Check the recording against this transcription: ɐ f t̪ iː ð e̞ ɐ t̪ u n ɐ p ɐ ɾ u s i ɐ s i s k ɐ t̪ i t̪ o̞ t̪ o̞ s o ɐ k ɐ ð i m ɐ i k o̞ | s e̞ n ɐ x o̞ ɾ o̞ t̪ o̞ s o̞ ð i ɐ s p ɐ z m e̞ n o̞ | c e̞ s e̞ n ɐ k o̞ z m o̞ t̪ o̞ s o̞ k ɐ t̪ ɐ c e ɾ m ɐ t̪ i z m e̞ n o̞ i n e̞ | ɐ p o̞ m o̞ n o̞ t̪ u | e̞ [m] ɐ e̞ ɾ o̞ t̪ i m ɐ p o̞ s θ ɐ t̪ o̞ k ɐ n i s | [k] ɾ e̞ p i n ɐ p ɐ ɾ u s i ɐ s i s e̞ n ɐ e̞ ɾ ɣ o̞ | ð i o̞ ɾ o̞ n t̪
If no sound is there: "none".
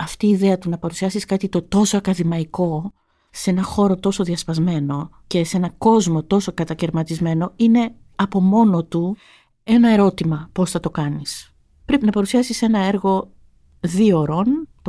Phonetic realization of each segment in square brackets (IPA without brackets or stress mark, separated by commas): n, p